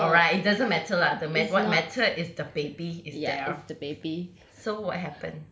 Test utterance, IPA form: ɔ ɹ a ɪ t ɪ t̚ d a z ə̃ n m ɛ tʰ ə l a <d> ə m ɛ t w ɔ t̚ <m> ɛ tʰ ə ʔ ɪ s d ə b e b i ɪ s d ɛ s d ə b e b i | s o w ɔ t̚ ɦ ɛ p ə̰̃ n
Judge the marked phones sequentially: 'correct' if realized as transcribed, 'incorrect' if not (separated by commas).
correct, correct